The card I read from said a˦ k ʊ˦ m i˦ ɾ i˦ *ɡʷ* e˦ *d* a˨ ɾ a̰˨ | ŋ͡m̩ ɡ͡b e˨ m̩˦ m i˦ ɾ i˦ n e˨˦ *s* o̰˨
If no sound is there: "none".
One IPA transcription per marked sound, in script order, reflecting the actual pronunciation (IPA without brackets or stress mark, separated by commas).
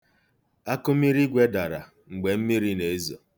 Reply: ɡʷ, d, z